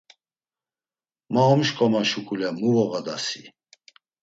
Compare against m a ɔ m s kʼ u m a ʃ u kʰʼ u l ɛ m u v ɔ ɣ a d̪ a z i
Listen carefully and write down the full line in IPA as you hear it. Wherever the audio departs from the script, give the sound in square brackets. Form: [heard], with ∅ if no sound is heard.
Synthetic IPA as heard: m a ɔ m [ʃ] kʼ [ɔ] m a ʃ u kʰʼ u l ɛ m u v ɔ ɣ a d̪ a [s] i